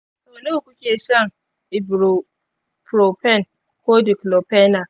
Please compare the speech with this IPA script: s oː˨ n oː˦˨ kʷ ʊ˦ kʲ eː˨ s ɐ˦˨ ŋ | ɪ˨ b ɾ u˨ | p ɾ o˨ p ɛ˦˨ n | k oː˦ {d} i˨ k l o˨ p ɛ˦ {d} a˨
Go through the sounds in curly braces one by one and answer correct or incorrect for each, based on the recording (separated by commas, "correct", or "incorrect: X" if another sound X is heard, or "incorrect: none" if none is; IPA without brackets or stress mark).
correct, incorrect: n